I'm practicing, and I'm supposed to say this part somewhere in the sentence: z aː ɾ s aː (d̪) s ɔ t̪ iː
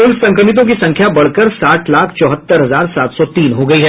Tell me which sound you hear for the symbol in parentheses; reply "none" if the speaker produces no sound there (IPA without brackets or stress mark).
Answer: t̪